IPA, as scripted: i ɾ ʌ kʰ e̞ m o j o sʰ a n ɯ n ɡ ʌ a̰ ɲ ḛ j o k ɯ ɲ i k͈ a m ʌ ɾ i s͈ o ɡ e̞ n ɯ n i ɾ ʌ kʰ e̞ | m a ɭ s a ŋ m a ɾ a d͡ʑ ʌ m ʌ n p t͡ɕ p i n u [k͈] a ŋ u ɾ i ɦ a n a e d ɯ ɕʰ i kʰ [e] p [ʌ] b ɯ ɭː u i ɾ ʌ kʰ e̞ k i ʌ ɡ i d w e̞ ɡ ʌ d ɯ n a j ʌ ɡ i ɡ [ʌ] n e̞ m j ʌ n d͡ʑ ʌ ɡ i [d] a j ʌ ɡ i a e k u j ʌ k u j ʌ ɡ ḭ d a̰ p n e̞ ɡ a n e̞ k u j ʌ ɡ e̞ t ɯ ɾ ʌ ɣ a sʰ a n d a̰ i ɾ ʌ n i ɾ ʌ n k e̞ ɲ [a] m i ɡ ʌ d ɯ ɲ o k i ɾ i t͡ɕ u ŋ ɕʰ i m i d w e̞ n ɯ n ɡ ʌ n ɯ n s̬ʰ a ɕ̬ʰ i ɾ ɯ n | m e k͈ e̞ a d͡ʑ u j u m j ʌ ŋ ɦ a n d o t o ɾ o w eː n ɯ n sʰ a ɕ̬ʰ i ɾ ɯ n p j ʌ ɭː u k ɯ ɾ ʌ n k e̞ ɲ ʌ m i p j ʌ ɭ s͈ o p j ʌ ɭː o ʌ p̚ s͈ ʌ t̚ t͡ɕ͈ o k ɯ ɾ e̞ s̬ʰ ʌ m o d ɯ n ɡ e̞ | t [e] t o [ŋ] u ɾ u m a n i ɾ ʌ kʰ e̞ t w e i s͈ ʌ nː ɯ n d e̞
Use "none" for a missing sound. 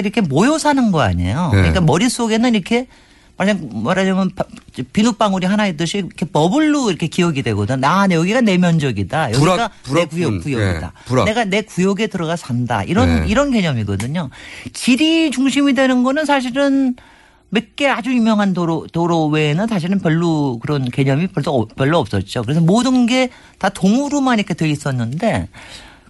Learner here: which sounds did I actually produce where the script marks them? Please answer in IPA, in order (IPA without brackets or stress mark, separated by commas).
p͈, e, ʌ, a, d, ʌ, a, ŋ